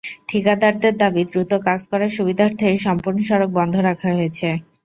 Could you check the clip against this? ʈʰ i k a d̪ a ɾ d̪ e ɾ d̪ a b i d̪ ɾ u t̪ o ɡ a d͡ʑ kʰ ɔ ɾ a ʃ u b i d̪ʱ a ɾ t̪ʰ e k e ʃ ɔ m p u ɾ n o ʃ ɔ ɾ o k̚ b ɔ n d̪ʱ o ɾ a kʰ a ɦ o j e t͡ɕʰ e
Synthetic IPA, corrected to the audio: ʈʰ i k a d̪ a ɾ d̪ e ɾ d̪ a b i d̪ ɾ u t̪ o k a d͡ʑ k ɔ ɾ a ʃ u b i d̪ʱ a ɾ t̪ʰ e k e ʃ ɔ m p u ɾ n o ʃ ɔ ɾ o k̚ b ɔ n d̪ʱ o ɾ a kʰ a ɦ o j e t͡ɕʰ e